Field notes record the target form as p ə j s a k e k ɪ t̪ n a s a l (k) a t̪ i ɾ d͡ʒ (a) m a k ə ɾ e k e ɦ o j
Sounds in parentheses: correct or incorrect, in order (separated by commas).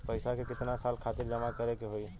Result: incorrect, incorrect